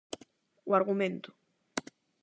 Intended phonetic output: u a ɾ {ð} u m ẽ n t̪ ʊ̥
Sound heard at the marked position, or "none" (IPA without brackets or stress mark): ɣ